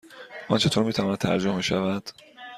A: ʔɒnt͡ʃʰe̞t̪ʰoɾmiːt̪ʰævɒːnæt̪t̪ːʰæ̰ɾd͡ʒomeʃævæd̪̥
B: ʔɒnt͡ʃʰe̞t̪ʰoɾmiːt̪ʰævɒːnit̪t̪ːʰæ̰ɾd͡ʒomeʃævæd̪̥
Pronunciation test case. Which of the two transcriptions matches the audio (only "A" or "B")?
A